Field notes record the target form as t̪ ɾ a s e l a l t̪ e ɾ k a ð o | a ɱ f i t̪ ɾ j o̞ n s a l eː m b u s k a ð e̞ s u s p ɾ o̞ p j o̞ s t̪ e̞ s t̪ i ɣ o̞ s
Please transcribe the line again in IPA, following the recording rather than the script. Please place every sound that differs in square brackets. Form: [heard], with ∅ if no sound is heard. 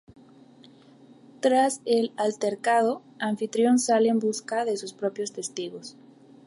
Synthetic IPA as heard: t̪ ɾ a s e l a l t̪ e ɾ k a ð o | a ɱ f i t̪ ɾ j o̞ n s a l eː m b u s k a ð e̞ s u s p ɾ o̞ p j o̞ s t̪ e̞ s t̪ i ɣ o̞ s